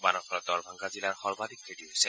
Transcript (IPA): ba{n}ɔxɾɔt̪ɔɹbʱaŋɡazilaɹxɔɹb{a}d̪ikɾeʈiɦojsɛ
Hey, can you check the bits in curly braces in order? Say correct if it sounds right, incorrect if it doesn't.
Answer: correct, correct

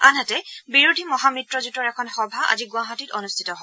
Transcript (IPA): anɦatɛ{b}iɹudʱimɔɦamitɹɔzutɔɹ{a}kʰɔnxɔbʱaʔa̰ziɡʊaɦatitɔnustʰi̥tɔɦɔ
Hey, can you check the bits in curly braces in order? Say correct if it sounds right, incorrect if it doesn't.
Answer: correct, incorrect: ɛ

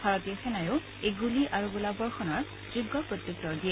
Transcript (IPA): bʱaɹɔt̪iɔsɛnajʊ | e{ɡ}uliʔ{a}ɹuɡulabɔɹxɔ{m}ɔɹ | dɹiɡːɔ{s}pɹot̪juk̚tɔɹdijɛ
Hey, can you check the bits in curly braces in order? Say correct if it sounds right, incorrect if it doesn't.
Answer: correct, correct, incorrect: n, incorrect: none

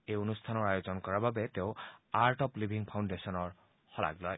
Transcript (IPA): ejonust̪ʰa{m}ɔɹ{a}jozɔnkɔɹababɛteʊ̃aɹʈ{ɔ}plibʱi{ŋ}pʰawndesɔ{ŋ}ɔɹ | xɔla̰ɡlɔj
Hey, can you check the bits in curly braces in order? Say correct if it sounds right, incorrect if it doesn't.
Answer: incorrect: n, correct, correct, correct, incorrect: n

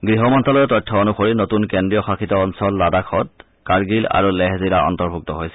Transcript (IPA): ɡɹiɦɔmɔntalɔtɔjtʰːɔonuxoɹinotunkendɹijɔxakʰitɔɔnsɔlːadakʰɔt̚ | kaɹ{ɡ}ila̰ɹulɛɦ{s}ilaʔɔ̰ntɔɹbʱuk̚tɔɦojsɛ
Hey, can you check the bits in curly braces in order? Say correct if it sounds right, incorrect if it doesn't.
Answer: correct, incorrect: z

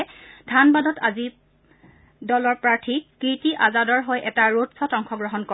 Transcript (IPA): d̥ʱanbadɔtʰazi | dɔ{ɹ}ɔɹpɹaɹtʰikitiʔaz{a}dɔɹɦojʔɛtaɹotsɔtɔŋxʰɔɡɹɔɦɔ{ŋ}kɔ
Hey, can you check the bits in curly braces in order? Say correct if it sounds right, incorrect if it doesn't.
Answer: incorrect: l, correct, incorrect: n

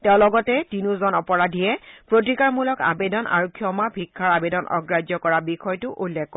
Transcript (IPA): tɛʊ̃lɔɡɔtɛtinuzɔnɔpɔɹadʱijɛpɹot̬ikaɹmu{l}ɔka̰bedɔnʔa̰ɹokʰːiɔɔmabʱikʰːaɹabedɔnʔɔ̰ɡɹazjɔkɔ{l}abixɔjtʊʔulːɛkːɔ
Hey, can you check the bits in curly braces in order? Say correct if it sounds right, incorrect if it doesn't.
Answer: correct, incorrect: ɹ

